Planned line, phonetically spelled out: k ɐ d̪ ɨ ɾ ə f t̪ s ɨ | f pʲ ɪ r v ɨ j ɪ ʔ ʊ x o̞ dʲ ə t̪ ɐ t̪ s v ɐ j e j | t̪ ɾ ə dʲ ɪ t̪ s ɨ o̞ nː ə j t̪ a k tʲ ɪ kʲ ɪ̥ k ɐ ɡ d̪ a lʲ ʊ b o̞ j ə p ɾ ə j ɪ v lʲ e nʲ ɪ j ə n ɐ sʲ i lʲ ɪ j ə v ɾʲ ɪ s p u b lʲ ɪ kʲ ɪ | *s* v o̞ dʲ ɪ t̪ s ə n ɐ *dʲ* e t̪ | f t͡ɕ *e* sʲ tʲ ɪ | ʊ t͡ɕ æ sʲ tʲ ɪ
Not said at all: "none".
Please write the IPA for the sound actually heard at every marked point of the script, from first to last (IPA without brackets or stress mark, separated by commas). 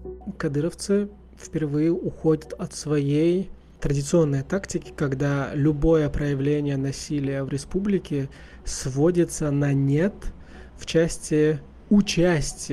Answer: s, nʲ, æ